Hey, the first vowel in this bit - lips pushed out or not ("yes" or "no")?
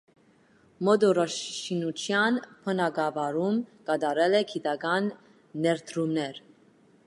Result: yes